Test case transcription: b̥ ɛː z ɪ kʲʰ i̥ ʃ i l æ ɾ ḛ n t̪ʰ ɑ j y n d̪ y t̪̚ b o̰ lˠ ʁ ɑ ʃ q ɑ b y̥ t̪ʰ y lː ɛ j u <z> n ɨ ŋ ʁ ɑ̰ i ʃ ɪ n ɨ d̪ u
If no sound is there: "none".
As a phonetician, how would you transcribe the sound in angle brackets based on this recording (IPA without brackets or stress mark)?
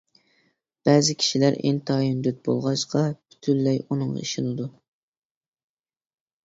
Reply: none